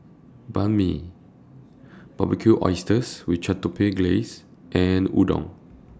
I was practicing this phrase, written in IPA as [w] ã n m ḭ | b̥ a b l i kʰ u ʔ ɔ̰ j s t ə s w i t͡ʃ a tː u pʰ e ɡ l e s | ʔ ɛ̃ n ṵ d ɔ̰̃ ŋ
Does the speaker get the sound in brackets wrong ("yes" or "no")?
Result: yes